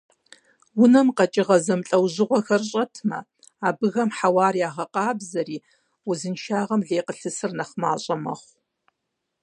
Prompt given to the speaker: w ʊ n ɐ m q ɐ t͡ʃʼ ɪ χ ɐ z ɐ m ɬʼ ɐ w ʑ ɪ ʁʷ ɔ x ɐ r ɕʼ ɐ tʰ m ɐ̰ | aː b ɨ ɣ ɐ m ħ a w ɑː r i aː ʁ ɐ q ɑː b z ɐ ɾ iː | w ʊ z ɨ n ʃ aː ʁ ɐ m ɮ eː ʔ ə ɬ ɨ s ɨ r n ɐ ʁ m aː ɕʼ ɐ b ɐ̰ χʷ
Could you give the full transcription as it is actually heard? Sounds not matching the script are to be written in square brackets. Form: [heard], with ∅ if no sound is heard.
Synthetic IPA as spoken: w ʊ n ɐ m q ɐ t͡ʃʼ ɪ [ʁ] ɐ z ɐ m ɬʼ ɐ w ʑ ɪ ʁʷ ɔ x ɐ r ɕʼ ɐ tʰ m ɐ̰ | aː b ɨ ɣ ɐ m ħ a w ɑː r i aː ʁ ɐ q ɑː b z ɐ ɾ iː | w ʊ z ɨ n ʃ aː ʁ ɐ m ɮ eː [q] ə ɬ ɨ s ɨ r n ɐ [χ] m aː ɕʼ ɐ [m] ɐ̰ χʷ